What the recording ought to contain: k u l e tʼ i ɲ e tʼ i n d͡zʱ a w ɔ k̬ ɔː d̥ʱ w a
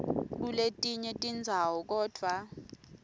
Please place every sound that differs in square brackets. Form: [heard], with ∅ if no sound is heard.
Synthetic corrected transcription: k u l e tʼ i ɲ [ɛ] tʼ i n d͡zʱ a w ɔ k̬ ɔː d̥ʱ w a